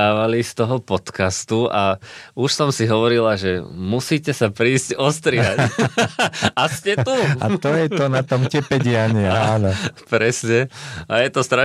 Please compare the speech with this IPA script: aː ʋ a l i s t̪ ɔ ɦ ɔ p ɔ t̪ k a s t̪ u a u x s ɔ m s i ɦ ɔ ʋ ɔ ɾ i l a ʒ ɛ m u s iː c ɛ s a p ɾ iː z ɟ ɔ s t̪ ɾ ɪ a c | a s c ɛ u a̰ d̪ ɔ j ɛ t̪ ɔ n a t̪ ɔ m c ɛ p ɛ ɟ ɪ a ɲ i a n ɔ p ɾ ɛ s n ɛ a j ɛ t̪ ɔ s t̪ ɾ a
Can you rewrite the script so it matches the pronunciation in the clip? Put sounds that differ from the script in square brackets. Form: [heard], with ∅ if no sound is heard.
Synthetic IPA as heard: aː ʋ a l i s t̪ ɔ ɦ ɔ p ɔ t̪ k a s t̪ u a u [ʃ] s ɔ m s i ɦ ɔ ʋ ɔ ɾ i l a ʒ ɛ m u s iː c ɛ s a p ɾ iː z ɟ ɔ s t̪ ɾ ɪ a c | a s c ɛ u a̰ [t̪] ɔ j ɛ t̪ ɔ n a t̪ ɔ m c ɛ p ɛ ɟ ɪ a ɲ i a n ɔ p ɾ ɛ s [ɲ] ɛ a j ɛ t̪ ɔ s t̪ ɾ a